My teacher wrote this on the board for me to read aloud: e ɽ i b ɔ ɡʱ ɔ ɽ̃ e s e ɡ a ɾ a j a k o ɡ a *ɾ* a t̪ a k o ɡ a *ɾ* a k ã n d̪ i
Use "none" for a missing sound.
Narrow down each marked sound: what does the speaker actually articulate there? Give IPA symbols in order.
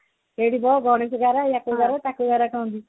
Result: ɾ, ɾ

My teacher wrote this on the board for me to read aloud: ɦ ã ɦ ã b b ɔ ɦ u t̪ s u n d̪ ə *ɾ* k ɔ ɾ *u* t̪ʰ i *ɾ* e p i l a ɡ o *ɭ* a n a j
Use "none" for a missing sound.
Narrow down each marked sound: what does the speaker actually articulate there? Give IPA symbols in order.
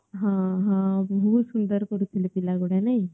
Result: ɾ, u, l, ɽ

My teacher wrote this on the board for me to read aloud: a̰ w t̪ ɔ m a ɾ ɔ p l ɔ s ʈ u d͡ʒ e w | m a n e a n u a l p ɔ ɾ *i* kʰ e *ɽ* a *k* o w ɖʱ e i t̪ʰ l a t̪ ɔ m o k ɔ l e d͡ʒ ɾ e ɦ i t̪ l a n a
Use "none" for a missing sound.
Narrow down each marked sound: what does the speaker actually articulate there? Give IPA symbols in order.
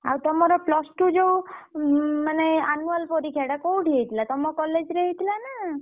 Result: i, ɽ, k

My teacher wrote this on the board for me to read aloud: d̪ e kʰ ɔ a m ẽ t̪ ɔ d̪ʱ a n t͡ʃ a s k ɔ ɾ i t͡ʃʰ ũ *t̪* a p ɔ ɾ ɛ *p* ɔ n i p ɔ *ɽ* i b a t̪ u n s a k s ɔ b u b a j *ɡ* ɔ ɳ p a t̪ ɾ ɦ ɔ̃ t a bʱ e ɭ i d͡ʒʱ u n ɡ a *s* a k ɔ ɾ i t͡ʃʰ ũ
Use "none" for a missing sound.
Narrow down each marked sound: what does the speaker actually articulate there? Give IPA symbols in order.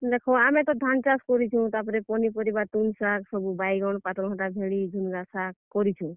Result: t̪, p, ɾ, ɡ, s

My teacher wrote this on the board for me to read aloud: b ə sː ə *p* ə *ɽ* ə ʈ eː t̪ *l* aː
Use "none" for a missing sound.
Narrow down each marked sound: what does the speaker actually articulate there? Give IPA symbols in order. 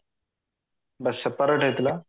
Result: p, ɾ, l

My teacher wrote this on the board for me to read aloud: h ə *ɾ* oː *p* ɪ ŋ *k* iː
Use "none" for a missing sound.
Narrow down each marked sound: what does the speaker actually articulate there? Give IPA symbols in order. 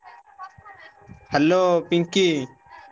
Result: l, p, k

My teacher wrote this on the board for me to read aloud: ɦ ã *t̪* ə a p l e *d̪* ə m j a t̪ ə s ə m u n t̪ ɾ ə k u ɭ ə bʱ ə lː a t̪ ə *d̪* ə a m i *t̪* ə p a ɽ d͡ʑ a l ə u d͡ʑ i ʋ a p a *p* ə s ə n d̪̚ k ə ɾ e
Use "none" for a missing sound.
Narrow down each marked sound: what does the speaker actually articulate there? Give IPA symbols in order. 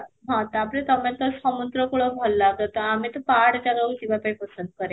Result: t̪, t̪, t̪, t̪, p

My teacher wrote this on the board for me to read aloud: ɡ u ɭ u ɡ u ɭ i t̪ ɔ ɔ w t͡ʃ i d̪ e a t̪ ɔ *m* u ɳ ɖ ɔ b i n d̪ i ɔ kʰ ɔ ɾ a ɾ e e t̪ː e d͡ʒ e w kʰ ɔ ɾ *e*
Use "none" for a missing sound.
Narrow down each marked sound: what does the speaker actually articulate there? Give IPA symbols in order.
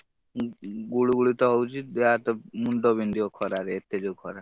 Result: m, a

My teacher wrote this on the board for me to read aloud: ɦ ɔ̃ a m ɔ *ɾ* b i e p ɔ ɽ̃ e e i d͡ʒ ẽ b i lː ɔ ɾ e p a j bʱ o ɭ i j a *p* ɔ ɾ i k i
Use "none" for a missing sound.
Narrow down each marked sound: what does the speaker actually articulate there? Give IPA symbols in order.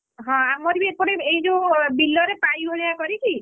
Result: ɾ, k

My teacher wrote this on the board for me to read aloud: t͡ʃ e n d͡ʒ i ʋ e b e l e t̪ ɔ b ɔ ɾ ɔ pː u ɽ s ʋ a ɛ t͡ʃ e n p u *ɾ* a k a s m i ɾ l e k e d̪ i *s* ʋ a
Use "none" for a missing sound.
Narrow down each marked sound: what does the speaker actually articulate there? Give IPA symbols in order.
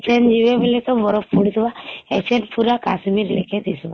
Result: ɾ, s

